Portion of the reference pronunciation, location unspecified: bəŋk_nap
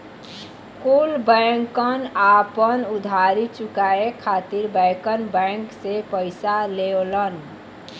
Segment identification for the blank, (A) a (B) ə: B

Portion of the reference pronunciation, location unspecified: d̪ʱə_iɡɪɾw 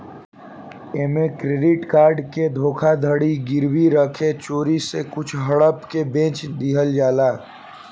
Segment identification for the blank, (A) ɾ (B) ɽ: B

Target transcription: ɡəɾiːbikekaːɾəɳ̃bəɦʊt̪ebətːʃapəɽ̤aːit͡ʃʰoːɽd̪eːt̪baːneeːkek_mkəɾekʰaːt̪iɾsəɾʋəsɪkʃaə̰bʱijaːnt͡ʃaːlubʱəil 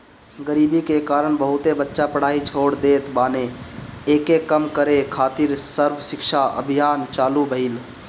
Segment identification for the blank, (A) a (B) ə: B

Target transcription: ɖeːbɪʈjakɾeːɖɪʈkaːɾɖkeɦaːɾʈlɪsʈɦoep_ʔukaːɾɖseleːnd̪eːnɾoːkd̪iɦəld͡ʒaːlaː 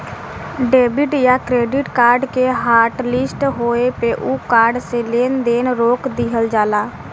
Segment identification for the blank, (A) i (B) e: B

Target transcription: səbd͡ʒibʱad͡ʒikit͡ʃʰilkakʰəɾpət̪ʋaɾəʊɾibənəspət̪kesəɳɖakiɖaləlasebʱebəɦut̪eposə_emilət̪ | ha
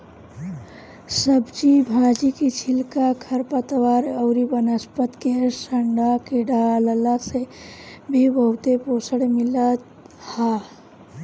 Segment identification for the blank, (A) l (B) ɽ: B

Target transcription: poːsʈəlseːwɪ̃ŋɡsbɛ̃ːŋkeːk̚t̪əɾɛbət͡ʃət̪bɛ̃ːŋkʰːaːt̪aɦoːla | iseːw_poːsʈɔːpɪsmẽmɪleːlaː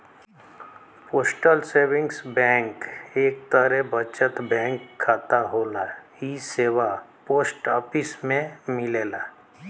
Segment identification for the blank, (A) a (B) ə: A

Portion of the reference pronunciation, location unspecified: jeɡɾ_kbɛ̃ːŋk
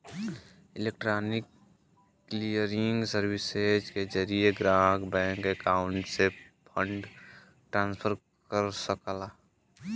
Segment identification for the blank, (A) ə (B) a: B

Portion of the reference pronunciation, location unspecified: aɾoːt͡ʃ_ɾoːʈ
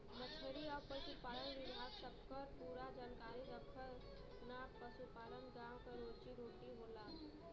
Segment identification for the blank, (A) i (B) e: A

